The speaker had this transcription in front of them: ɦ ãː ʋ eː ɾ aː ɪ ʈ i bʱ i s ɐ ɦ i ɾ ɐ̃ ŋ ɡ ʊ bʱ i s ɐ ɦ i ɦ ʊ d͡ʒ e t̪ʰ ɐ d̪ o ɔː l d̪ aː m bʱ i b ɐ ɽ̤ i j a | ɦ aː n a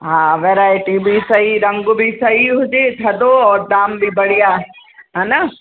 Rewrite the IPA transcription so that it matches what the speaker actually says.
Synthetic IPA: ɦ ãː ʋ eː ɾ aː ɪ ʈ i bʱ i s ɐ ɦ i ɾ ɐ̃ ŋ ɡ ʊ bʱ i s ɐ ɦ i ɦ ʊ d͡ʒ e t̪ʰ ɐ d̪ o ɔː ɾ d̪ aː m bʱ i b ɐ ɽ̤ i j a | ɦ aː n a

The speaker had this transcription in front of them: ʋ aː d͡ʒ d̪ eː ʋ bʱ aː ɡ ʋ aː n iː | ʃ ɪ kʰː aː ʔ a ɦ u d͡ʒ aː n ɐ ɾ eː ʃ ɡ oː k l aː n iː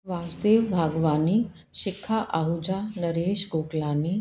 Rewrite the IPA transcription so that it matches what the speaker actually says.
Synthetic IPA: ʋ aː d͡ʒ d̪ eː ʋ bʱ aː ɡ ʋ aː n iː | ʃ ɪ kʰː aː ʔ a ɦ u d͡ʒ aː n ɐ ɾ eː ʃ ɡ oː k l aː n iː

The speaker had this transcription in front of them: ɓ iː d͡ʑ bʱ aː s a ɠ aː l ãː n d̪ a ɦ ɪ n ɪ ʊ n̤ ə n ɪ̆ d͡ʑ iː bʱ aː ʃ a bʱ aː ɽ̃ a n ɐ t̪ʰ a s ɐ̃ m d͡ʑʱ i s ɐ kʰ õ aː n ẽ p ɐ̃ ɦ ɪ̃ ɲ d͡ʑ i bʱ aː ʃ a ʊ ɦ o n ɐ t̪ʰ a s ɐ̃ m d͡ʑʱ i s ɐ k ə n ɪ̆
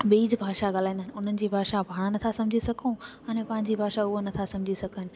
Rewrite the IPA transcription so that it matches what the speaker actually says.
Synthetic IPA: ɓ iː d͡ʑ bʱ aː ʃ a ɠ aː l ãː n d̪ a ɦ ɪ n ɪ ʊ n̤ ə n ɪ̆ d͡ʑ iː bʱ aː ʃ a bʱ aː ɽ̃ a n ɐ t̪ʰ a s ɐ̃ m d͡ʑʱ i s ɐ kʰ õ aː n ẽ p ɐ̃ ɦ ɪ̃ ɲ d͡ʑ i bʱ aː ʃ a ʊ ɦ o n ɐ t̪ʰ a s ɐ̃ m d͡ʑʱ i s ɐ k ə n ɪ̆

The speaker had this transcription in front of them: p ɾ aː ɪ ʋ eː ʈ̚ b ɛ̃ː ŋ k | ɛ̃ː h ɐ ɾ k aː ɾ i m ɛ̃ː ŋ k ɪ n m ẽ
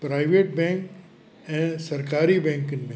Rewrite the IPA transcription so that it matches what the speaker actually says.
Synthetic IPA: p ɾ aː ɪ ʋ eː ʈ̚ b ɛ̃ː ŋ k | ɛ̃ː s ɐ ɾ k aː ɾ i b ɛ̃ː ŋ k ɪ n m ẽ

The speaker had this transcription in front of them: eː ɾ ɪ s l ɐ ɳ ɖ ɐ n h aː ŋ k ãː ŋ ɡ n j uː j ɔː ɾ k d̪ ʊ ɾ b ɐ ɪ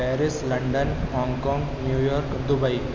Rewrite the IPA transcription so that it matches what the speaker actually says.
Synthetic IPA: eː ɾ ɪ s l ɐ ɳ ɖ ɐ n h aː ŋ k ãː ŋ ɡ n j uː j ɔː ɾ k d̪ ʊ b ɐ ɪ

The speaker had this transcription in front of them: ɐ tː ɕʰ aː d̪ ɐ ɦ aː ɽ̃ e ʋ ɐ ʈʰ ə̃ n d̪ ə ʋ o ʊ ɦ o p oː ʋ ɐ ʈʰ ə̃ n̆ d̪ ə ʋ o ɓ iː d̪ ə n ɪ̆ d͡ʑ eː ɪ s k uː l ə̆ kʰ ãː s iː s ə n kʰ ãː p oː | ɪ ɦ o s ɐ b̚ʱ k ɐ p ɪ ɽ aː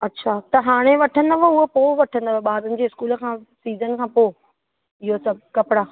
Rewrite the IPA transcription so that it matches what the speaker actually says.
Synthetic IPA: ɐ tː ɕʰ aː t̪ ɐ ɦ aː ɽ̃ e ʋ ɐ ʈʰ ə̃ n d̪ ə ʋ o ʊ ɦ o p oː ʋ ɐ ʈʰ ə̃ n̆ d̪ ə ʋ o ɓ aː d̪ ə n ɪ̆ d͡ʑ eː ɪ s k uː l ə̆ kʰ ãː s iː z ə n kʰ ãː p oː | ɪ ɦ o s ɐ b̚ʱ k ɐ p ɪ ɽ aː

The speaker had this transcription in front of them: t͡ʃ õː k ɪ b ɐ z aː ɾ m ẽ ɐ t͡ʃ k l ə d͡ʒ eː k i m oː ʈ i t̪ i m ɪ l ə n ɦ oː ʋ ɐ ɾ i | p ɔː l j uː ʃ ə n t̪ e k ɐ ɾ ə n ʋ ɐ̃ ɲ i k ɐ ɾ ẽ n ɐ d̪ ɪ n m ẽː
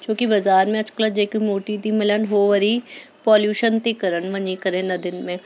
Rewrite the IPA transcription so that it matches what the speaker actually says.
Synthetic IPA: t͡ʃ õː k i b ɐ z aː ɾ m ẽ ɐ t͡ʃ k l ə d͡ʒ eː k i m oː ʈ i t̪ i m ɪ l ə n ɦ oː ʋ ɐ ɾ i | p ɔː l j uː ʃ ə n t̪ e k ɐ ɾ ə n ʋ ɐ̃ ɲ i k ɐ ɾ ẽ n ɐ d̪ ɪ n m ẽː

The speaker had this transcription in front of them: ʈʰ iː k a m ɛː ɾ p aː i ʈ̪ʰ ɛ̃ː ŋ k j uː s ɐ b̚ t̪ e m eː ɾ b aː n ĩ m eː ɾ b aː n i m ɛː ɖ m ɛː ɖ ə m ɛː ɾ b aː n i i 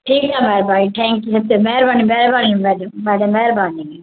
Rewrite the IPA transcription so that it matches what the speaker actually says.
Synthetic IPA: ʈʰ iː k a m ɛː ɾ b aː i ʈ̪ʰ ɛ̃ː ŋ k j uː s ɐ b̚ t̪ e m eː ɾ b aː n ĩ m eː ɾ b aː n i m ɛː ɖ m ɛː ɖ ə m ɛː ɾ b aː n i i

